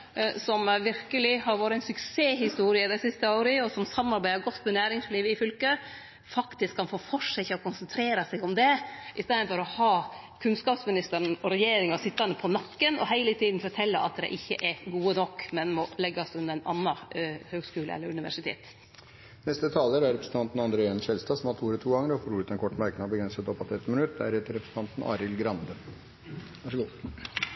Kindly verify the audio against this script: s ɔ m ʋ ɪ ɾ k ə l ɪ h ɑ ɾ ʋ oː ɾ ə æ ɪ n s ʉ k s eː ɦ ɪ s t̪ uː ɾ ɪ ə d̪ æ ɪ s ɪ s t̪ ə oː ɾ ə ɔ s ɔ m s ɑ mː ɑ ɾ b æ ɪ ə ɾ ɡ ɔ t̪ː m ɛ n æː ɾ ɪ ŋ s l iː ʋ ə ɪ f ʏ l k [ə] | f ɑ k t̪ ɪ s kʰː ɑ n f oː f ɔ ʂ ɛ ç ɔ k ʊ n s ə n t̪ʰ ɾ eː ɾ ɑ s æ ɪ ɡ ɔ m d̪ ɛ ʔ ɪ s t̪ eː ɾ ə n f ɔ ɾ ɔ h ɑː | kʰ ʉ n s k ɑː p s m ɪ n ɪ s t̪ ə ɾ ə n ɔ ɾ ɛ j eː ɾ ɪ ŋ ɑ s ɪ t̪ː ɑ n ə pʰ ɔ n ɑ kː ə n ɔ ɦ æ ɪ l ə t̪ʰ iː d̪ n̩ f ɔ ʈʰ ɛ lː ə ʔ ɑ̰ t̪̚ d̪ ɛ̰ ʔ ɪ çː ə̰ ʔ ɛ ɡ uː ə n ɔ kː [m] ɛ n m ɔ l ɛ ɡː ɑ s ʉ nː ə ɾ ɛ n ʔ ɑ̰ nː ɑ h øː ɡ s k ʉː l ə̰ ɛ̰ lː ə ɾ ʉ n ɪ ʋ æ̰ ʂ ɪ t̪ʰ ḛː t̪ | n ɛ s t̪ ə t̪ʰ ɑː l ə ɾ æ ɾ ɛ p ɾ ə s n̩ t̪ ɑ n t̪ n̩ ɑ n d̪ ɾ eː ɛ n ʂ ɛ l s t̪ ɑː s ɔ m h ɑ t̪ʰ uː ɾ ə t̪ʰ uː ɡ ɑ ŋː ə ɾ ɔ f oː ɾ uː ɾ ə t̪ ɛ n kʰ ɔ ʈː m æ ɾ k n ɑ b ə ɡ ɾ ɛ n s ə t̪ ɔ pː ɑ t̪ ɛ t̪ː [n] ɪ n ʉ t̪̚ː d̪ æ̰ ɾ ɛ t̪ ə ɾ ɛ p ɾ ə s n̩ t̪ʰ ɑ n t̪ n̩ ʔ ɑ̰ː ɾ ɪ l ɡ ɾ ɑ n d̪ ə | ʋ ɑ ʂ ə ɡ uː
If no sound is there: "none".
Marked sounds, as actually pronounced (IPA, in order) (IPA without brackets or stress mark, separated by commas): ə, m, m